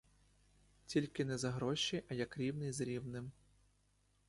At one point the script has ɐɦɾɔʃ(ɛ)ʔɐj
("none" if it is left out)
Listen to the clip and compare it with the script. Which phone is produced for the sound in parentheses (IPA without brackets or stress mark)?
i